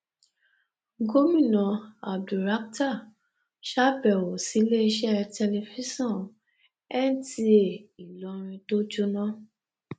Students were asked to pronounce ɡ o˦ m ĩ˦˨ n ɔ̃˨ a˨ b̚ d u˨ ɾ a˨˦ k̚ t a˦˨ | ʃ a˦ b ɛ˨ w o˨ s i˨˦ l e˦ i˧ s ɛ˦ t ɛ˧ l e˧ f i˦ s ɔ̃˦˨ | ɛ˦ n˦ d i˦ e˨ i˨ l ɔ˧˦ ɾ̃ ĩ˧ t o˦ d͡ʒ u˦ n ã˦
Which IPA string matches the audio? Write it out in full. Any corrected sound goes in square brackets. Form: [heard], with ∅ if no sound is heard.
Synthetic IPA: ɡ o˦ m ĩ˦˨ n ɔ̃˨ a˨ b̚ d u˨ ɾ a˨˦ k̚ t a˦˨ | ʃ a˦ b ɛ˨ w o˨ s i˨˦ l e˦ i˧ [ʃ] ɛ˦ t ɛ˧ l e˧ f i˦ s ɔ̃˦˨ | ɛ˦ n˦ [t] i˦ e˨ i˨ l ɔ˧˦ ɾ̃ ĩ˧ t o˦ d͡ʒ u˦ n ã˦